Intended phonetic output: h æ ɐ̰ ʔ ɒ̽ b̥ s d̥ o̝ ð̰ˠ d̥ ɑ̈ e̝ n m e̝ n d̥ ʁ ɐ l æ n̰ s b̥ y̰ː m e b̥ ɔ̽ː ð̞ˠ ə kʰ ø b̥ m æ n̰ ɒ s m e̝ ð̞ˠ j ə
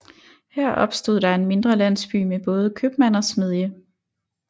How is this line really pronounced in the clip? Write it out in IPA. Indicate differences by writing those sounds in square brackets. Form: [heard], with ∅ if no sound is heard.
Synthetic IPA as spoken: h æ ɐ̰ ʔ ɒ̽ b̥ s d̥ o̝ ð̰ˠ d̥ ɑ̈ e̝ n m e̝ n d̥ ʁ ɐ l æ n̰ s b̥ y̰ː m e b̥ ɔ̽ː ð̞ˠ ə kʰ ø b̥ m æ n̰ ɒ s m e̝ ð̞ˠ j ə